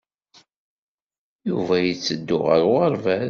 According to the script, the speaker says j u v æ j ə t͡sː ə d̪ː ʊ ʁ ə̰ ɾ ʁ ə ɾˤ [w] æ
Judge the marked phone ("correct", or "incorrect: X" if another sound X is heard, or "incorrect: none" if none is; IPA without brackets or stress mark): incorrect: v